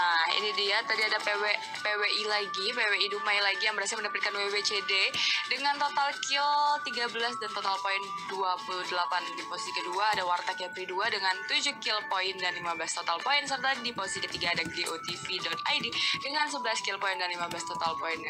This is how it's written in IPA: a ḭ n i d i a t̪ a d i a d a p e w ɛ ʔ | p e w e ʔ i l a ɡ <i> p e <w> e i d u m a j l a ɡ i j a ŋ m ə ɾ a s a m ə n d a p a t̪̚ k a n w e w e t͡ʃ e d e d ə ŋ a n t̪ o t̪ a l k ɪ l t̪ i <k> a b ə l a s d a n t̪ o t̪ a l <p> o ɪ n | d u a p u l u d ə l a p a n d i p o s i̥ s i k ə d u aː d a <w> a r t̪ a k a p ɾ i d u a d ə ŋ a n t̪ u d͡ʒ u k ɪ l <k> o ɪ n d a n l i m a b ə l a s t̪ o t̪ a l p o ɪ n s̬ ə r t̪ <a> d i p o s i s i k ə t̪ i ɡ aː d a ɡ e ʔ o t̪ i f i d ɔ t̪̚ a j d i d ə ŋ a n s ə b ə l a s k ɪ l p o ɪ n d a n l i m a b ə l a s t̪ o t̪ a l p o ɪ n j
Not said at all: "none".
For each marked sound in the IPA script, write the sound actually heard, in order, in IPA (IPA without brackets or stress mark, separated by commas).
i, w, ɡ, p, w, p, a